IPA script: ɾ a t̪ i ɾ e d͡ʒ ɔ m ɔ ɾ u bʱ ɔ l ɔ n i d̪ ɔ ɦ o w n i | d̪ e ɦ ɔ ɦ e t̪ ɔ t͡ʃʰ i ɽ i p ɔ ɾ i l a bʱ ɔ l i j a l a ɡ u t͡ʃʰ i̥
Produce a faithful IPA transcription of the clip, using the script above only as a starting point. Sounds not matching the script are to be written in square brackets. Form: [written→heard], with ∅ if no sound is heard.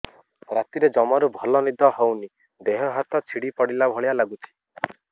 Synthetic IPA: ɾ a t̪ i ɾ e d͡ʒ ɔ m ɔ ɾ u bʱ ɔ l ɔ n i d̪ ɔ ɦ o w n i | d̪ e ɦ ɔ ɦ [e→a] t̪ ɔ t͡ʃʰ i ɽ i p ɔ [ɾ→ɽ] i l a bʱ ɔ [l→ɭ] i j a l a ɡ u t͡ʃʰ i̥